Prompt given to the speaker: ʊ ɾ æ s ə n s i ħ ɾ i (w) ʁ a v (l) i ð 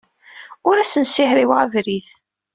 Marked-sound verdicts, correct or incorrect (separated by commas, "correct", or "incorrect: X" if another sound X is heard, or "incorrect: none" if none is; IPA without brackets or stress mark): correct, incorrect: ɾ